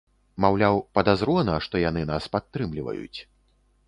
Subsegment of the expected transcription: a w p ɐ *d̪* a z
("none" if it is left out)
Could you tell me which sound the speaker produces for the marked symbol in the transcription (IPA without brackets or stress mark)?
d̪